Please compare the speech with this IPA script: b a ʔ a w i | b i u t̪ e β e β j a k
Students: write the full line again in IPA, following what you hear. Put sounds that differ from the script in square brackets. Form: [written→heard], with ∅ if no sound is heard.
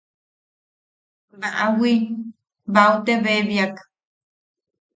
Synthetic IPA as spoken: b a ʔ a w i | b [i→a] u t̪ e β e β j a k